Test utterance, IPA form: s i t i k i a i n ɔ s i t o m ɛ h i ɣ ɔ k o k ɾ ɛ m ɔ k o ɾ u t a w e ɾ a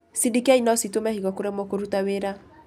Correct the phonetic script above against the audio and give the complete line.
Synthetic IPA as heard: s i d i k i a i n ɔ s i t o m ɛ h i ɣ ɔ k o ɾ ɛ m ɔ k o ɾ u t a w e ɾ a